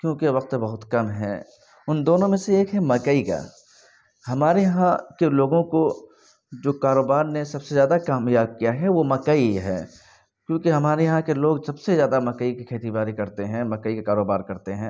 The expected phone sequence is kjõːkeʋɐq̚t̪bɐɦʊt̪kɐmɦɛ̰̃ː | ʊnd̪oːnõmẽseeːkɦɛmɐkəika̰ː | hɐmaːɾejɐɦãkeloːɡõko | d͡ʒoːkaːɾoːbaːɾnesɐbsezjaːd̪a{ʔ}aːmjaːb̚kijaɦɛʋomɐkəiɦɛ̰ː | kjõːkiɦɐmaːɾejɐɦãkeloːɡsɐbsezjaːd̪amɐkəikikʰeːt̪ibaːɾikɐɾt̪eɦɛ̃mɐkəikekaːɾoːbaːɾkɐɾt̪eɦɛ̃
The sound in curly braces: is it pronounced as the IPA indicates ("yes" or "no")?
no